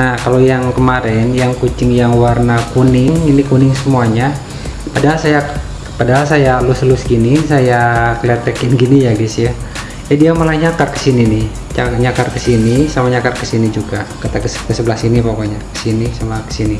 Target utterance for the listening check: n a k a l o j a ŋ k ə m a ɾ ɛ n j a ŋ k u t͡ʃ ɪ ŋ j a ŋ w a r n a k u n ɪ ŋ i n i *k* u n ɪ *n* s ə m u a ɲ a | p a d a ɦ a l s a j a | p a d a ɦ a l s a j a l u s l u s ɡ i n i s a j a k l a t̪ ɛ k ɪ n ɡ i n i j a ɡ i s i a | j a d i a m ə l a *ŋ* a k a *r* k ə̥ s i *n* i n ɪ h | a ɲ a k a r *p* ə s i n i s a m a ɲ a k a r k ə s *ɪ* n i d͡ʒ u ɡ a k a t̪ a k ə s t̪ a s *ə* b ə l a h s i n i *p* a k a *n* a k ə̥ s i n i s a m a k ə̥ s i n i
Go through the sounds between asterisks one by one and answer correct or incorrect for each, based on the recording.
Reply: correct, incorrect: ŋ, incorrect: ɲ, correct, correct, incorrect: k, incorrect: i, correct, correct, incorrect: ɲ

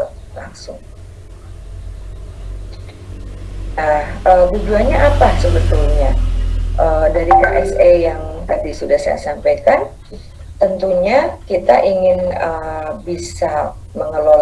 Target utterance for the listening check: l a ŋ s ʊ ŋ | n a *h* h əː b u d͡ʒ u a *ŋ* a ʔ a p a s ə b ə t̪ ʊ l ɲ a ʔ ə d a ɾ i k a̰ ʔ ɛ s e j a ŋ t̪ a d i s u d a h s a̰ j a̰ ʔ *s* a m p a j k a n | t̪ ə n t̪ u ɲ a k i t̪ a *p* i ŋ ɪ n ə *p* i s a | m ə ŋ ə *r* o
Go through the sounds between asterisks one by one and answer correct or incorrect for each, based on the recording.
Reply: correct, incorrect: ɲ, correct, incorrect: ʔ, incorrect: b, incorrect: l

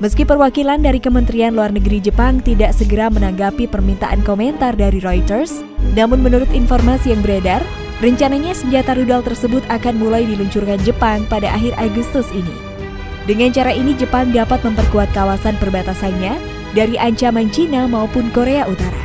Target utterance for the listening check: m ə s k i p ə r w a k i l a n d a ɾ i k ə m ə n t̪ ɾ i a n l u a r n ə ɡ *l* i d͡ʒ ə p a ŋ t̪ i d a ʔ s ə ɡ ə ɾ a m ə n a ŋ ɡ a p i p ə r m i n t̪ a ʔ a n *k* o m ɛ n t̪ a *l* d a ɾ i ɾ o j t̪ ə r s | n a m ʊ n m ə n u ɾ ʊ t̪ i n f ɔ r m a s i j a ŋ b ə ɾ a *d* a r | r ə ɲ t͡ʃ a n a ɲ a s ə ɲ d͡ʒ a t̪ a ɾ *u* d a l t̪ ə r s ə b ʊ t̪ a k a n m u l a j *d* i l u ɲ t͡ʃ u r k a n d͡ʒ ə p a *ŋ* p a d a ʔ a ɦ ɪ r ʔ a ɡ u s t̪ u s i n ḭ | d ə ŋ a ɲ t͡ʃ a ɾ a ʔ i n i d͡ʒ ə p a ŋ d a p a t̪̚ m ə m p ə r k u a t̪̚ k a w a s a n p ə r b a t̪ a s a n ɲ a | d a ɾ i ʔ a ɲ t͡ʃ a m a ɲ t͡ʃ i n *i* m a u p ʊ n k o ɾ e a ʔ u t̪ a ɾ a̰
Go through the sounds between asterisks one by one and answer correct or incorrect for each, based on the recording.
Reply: incorrect: ɾ, correct, incorrect: r, correct, correct, correct, correct, incorrect: a

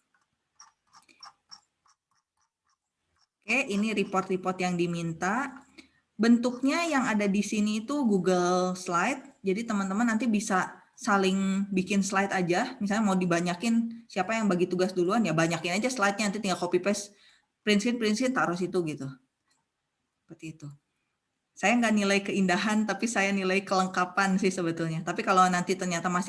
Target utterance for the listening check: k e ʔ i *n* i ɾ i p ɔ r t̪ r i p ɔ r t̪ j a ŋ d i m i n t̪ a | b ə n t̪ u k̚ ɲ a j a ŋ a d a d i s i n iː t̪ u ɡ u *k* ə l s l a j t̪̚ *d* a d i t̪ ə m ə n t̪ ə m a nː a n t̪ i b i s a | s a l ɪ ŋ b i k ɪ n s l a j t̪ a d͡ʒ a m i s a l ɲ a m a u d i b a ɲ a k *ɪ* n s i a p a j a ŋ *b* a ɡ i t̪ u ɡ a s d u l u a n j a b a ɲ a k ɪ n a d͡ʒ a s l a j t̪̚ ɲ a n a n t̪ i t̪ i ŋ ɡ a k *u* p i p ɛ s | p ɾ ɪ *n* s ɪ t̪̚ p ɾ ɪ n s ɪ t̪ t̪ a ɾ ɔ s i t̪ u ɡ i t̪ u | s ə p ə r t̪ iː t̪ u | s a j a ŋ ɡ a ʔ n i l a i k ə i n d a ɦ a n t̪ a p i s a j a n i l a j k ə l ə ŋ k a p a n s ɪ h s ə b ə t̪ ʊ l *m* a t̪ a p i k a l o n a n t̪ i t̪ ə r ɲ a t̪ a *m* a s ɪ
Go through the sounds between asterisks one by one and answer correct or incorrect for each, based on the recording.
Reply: correct, incorrect: ɡ, incorrect: d͡ʒ, correct, correct, incorrect: o, correct, incorrect: ɲ, correct

